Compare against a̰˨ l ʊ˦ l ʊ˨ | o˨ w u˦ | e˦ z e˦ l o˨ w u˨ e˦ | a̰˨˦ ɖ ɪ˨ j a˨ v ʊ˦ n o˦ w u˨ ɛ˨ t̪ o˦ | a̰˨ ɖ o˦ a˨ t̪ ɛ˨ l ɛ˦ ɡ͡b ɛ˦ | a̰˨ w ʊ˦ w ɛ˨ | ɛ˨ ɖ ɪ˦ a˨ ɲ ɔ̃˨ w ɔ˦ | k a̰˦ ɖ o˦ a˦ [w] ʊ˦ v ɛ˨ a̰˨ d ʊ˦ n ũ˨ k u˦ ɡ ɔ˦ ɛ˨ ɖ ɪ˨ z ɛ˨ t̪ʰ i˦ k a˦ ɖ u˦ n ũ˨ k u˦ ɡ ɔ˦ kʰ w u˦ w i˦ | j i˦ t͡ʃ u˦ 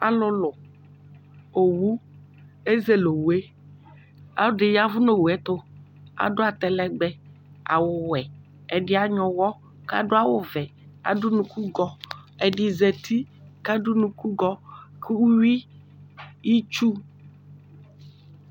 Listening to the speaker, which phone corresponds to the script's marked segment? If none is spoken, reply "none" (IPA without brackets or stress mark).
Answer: w